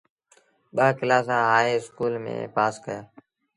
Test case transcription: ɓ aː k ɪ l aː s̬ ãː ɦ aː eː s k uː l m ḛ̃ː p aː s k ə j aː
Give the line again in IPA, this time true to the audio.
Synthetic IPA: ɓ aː k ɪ l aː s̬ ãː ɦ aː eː s k uː l m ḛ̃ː p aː s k ə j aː

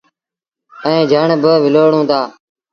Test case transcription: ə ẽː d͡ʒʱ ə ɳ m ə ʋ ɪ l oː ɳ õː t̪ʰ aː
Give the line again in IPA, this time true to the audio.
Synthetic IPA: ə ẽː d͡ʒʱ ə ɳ b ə ʋ ɪ l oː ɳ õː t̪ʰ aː

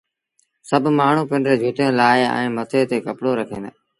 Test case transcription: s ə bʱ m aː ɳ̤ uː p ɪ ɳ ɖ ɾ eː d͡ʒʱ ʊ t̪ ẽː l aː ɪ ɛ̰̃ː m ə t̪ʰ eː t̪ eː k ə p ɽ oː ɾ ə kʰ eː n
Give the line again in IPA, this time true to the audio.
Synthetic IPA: s ə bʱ m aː ɳ̤ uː p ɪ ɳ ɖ ɾ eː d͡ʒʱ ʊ t̪ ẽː l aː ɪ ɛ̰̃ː m ə t̪ʰ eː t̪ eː k ə p ɽ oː ɾ ə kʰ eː n

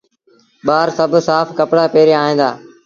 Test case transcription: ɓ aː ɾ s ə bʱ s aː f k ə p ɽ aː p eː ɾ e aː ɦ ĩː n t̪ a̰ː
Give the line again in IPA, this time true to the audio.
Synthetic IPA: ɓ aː ɾ s ə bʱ s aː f k ə p ɽ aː p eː ɾ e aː ɦ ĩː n d̪ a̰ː

